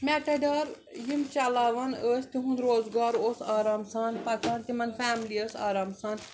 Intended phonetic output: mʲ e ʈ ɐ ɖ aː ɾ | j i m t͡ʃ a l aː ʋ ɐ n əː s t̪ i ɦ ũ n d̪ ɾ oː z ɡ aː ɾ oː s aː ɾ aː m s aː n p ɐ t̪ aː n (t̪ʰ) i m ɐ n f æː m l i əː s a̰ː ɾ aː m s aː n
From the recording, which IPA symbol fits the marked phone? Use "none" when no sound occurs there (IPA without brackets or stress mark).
t̪